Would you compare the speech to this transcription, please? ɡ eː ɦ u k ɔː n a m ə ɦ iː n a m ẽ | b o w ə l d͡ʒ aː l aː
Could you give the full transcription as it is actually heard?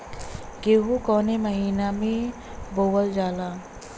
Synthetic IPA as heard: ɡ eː ɦ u k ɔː n e m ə ɦ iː n a m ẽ | b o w ə l d͡ʒ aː l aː